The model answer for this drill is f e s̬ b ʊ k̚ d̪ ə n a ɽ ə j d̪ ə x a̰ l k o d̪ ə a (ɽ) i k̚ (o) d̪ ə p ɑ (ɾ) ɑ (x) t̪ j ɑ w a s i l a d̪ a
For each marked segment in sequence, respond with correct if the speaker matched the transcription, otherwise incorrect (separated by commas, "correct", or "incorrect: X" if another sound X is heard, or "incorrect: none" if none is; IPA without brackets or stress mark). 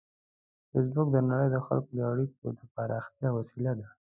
correct, correct, correct, correct